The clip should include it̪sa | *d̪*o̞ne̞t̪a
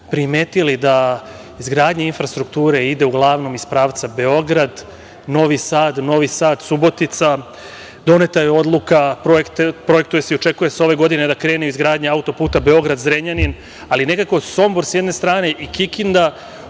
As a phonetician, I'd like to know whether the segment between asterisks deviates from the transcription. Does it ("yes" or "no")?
no